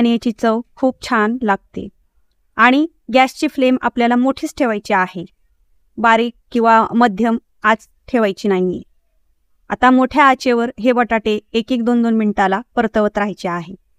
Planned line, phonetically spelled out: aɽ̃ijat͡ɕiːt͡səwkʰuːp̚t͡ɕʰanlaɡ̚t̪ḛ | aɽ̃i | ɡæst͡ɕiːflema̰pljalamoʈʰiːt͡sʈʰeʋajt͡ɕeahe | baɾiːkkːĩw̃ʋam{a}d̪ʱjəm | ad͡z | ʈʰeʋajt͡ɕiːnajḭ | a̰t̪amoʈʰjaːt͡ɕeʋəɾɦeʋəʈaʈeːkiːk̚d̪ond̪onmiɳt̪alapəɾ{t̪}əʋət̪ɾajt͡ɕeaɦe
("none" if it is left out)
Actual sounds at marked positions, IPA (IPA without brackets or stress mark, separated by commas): ə, t̪